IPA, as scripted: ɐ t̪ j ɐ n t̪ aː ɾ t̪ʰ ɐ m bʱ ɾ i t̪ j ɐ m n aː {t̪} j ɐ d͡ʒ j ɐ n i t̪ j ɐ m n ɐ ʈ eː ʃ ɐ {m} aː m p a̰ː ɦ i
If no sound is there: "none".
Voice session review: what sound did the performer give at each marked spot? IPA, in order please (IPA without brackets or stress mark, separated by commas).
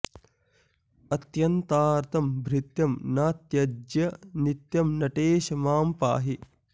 t̪, m